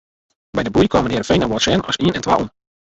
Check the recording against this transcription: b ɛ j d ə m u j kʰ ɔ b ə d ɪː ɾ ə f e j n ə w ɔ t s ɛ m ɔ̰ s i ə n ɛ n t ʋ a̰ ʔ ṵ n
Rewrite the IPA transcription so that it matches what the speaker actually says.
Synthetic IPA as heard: b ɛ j d ə b u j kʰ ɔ m ə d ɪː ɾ ə f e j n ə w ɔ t s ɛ n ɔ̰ s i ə n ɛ n t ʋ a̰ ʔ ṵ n

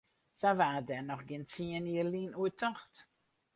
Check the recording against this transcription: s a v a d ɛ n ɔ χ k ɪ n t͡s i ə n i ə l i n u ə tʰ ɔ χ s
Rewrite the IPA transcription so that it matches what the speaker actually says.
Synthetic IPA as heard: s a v a d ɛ n ɔ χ ɡ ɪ n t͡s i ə n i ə l i n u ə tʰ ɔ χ t

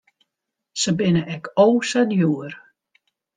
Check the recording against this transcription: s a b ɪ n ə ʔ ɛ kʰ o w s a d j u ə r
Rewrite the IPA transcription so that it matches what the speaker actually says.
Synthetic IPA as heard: s ə b ɪ n ə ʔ ɛ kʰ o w s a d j u ə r

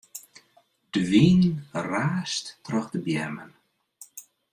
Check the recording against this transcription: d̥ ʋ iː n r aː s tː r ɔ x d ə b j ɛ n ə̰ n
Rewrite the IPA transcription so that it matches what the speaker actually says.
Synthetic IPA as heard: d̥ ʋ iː n r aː s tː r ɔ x d ə b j ɛ m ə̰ n

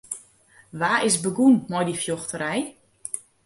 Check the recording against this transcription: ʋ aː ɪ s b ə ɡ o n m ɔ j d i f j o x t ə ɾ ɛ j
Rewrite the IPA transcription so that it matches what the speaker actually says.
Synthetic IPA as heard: ʋ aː ɪ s b ə ɡ u n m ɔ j d i f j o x t ə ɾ ɛ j

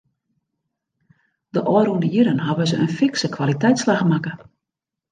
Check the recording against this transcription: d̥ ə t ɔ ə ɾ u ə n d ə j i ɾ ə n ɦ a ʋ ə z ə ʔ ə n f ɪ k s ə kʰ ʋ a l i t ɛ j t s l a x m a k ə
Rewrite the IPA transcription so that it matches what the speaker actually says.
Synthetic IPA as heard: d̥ ə ʔ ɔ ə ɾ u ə n d ə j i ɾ ə n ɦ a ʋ ə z ə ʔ ə n f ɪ k s ə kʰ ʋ a l i t ɛ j t s l a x m a k ə

